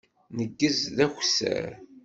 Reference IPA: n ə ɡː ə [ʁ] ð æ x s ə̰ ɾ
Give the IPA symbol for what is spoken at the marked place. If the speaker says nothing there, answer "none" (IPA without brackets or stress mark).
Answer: z